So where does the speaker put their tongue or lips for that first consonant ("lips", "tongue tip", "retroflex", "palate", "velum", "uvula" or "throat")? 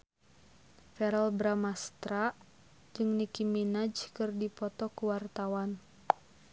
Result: lips